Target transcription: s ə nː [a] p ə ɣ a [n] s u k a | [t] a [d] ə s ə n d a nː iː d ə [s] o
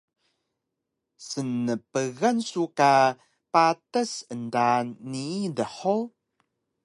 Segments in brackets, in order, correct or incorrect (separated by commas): incorrect, correct, incorrect, incorrect, incorrect